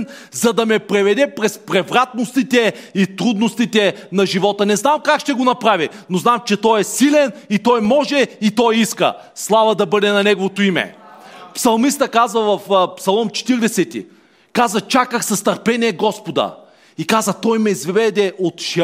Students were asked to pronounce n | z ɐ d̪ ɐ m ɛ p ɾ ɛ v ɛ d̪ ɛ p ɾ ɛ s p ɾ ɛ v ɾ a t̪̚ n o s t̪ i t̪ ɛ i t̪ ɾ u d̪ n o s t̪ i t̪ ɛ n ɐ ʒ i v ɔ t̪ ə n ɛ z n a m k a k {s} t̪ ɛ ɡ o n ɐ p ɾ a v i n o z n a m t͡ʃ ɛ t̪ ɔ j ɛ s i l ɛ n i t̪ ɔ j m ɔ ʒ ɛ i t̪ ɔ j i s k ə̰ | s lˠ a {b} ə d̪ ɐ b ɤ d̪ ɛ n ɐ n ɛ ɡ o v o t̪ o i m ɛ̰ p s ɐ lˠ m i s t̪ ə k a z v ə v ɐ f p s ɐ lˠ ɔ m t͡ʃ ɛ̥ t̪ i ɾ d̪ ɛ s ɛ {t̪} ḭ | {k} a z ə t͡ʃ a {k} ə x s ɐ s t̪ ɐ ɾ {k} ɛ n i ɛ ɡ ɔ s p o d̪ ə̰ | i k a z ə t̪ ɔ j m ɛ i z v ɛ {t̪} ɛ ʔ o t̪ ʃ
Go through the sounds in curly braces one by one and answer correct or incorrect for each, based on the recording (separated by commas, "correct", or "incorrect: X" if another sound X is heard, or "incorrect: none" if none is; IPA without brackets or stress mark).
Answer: incorrect: ʃ, incorrect: v, correct, correct, correct, incorrect: p, incorrect: d̪